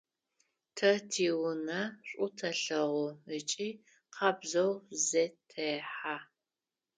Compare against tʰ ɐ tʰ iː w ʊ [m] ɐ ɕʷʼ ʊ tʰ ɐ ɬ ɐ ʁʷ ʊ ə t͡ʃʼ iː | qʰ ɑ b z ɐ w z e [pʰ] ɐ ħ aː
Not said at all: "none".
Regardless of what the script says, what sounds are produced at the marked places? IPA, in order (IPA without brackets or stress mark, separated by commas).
n, tʰ